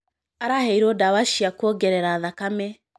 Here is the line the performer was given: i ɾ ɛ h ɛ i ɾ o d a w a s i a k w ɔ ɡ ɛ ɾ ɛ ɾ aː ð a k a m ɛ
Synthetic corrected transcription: a ɾ a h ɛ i ɾ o d a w a ʃ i a k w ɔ ɡ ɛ ɾ ɛ ɾ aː ð a k a m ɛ